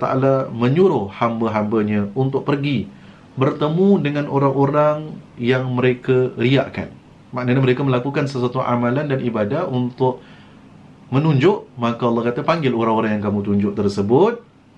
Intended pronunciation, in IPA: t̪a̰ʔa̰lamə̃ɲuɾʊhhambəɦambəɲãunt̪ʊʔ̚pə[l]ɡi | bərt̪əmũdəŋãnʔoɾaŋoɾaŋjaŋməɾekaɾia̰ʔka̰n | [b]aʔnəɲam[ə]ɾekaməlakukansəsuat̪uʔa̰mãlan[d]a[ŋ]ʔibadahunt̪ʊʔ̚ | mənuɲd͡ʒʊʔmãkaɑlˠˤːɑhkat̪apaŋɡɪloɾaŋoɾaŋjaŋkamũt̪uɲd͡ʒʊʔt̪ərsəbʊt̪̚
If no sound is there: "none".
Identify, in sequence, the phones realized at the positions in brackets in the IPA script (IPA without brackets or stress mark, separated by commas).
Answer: r, m, ə, d, n